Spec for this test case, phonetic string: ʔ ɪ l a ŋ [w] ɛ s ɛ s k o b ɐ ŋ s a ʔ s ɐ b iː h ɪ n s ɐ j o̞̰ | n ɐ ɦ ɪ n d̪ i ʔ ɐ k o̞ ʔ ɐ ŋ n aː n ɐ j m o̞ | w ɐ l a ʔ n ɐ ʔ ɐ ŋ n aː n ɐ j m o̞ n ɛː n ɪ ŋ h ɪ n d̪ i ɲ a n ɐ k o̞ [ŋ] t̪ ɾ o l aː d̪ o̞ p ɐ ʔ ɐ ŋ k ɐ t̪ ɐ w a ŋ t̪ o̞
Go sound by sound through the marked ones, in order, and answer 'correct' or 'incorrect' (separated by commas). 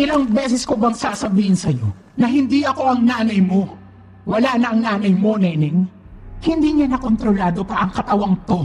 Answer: incorrect, incorrect